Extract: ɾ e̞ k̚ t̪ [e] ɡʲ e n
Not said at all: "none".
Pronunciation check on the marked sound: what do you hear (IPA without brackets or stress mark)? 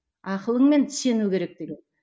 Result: e